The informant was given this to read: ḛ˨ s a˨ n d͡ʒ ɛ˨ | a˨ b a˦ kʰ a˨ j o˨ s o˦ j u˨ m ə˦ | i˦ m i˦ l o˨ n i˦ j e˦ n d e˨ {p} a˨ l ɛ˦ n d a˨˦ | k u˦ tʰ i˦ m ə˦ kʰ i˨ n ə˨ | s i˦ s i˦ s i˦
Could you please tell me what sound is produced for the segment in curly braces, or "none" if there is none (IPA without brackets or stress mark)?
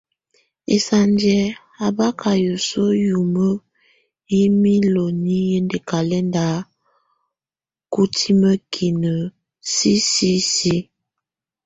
k